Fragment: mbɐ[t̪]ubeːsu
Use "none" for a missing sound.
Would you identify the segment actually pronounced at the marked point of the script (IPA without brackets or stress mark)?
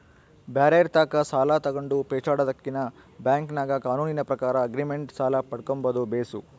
d̪